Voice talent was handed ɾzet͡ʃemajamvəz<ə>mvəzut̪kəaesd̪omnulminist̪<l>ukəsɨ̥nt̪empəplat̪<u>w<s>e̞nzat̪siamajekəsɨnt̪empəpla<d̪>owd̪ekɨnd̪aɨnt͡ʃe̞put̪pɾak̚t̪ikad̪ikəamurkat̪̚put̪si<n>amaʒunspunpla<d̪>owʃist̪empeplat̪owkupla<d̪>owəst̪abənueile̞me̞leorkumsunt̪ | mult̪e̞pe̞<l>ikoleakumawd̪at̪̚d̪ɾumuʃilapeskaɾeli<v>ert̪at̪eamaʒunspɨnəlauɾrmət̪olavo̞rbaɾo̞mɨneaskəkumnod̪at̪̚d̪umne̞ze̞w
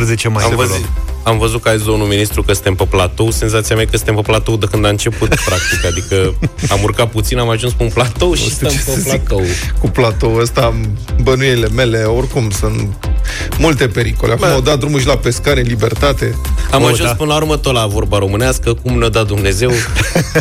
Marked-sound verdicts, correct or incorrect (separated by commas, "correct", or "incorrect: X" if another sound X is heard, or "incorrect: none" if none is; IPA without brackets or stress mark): incorrect: a, incorrect: ɾ, incorrect: o, correct, incorrect: t̪, correct, incorrect: t̪, incorrect: t̪, incorrect: ɾ, incorrect: b